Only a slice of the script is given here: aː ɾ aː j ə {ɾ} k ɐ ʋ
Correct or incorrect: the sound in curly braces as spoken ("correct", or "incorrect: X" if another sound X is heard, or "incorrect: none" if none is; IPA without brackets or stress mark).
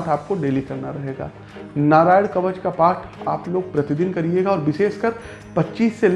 incorrect: ɽ